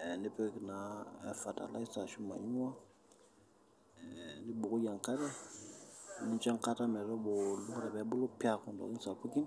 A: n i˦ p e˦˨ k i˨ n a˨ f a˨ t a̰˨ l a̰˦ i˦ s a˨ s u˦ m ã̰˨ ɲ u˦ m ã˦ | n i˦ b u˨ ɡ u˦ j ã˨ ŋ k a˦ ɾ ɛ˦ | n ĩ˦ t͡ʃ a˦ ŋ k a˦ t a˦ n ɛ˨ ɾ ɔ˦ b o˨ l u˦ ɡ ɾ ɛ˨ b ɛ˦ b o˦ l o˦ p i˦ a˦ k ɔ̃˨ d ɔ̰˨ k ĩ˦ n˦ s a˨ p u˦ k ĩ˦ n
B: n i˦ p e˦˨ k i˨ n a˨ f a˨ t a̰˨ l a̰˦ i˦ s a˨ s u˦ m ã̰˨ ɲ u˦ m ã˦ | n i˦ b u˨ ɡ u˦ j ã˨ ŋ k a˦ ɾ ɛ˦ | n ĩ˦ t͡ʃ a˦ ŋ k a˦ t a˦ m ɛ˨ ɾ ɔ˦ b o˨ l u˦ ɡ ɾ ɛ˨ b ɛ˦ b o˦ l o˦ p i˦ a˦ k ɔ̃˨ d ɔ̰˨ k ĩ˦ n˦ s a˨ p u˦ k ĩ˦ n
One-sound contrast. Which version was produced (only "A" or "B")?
B